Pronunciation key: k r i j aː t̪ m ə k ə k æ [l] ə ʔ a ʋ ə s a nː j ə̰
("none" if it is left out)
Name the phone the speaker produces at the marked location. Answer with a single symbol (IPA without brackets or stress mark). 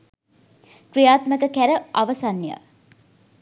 ɾ